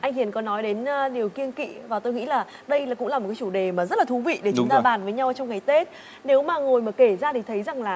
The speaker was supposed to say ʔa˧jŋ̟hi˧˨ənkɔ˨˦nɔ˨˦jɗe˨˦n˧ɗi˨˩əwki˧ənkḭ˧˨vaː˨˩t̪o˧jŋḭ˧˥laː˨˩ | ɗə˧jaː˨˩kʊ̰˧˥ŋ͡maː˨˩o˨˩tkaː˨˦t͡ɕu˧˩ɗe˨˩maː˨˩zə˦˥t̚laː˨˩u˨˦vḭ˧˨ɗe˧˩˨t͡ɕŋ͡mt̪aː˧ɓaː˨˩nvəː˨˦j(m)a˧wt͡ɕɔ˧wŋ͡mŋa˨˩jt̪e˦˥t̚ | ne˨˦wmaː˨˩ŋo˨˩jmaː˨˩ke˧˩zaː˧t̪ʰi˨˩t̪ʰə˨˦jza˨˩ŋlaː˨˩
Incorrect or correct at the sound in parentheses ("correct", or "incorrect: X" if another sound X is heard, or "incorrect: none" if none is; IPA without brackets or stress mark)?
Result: incorrect: ɲ